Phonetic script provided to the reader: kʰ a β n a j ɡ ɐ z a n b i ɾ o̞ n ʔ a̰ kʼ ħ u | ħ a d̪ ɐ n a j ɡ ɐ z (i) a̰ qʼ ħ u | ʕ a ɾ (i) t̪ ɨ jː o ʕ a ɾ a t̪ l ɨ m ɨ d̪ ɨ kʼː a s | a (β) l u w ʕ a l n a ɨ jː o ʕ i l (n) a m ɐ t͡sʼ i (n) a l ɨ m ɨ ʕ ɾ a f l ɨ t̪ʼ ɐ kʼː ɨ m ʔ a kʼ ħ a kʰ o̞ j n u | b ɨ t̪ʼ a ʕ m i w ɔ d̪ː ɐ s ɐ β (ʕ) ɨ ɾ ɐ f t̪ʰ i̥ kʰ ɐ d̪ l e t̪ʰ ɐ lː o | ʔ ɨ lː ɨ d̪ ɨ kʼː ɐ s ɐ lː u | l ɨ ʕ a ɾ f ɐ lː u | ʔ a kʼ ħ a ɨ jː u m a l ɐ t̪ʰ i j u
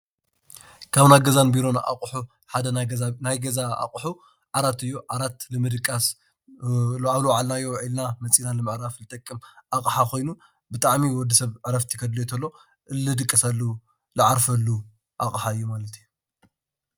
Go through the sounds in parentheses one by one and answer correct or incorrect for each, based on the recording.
incorrect, incorrect, correct, correct, correct, correct

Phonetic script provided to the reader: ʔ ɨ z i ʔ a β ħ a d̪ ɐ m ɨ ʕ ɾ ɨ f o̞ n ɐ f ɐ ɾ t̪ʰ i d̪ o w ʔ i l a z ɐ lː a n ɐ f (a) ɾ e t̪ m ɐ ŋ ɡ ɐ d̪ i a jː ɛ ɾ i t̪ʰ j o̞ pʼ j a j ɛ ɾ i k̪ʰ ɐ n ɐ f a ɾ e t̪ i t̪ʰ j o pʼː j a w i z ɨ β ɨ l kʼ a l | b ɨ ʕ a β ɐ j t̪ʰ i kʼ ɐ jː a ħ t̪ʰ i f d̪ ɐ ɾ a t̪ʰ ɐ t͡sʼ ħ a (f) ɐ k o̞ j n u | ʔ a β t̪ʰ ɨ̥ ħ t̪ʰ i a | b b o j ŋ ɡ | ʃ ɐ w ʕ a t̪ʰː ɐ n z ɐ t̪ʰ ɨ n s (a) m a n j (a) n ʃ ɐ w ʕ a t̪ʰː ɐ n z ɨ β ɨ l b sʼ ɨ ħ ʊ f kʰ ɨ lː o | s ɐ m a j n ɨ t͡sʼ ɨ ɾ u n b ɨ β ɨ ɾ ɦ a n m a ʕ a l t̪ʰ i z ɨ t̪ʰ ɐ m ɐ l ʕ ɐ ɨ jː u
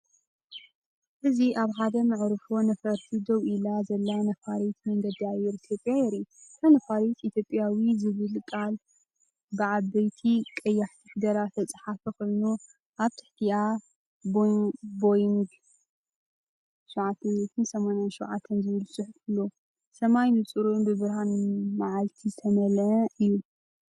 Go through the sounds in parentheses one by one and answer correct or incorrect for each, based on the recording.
correct, correct, incorrect, correct

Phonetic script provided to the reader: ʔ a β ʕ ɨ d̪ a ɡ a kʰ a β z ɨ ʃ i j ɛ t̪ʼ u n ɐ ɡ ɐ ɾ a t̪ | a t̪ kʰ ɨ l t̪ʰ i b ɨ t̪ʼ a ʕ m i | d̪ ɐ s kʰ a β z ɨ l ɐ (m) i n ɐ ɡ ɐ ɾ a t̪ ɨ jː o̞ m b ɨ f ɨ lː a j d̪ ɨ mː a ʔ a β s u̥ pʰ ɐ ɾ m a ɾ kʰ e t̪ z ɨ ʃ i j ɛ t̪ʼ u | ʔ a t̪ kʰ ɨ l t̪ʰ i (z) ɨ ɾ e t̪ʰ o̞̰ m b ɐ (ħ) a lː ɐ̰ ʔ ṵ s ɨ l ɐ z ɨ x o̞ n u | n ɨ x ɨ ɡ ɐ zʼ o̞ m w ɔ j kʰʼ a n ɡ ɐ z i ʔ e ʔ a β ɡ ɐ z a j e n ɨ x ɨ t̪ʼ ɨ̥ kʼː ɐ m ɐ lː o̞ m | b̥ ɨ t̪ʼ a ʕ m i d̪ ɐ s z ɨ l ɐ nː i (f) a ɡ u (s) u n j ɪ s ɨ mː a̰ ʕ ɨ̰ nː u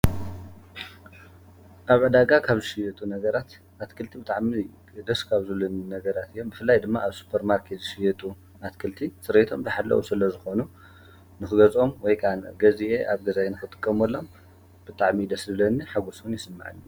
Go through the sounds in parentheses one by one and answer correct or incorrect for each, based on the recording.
incorrect, incorrect, correct, incorrect, correct

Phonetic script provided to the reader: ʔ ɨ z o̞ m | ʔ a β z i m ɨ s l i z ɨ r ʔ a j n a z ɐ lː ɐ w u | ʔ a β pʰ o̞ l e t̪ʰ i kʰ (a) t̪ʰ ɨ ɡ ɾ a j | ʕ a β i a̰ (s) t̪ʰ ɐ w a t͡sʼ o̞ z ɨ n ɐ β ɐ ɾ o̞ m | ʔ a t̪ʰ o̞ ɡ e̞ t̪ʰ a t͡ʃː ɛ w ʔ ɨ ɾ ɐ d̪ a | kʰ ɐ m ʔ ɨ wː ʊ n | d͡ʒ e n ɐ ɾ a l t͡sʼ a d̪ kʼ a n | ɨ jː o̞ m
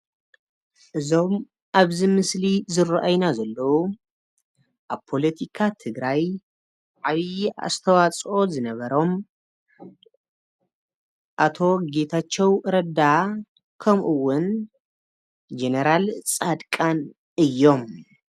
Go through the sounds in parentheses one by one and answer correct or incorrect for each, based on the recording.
correct, correct

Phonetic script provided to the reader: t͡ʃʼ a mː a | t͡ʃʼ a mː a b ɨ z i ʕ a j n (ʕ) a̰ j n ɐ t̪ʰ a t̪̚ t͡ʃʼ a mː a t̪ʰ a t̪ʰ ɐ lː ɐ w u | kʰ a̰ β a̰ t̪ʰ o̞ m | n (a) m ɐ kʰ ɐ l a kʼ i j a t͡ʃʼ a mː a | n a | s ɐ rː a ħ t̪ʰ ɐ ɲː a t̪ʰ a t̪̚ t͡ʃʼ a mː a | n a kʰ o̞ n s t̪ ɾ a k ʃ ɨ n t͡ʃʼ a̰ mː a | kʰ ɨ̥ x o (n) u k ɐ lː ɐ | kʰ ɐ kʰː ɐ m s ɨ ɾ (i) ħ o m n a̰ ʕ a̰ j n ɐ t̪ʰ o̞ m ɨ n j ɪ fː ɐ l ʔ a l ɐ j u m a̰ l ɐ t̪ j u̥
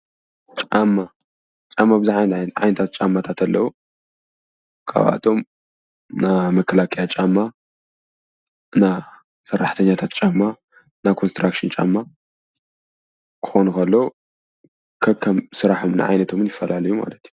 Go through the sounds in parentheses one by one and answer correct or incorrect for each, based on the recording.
correct, correct, correct, incorrect

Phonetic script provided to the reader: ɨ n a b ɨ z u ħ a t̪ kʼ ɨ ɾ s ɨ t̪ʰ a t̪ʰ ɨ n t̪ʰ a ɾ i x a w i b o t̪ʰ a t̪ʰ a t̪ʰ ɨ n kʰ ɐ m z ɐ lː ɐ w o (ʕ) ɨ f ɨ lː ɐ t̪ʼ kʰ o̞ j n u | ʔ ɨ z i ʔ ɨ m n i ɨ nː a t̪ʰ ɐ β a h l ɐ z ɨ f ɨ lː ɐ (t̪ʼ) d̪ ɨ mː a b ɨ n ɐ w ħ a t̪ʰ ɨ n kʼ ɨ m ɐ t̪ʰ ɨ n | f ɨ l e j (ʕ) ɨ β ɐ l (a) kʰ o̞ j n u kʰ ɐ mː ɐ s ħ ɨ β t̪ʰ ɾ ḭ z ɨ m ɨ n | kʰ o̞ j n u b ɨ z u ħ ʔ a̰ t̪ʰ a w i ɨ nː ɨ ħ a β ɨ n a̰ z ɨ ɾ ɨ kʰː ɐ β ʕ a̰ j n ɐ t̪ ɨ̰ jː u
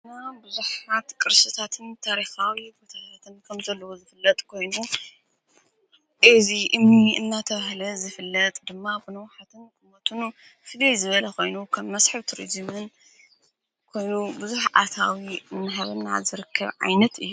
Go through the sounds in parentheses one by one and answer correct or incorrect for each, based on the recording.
incorrect, correct, incorrect, incorrect

